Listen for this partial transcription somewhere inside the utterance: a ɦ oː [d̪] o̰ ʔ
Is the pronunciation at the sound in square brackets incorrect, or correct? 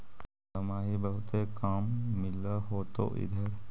incorrect